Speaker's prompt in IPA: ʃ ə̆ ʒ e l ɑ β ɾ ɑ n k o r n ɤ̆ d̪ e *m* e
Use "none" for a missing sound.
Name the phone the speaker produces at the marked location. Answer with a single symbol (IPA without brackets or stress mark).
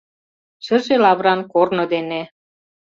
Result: n